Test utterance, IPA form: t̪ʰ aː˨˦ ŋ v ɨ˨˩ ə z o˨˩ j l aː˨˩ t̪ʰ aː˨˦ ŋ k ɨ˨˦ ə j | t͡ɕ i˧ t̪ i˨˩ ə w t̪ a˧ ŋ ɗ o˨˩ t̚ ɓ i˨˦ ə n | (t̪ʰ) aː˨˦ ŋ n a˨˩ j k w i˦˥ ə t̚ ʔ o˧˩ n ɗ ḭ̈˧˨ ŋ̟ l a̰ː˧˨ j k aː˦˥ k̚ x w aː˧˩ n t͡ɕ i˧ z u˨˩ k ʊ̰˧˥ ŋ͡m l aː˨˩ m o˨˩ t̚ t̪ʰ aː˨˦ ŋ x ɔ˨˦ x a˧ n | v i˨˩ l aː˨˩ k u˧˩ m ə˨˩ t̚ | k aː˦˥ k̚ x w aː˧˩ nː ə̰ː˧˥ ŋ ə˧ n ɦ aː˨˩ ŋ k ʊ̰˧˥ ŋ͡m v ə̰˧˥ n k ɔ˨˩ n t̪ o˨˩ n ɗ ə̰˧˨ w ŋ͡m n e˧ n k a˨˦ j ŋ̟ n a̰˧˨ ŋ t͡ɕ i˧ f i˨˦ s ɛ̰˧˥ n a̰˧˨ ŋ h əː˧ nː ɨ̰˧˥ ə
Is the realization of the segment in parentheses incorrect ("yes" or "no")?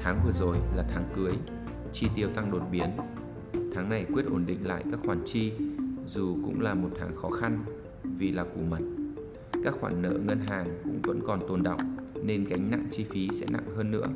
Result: no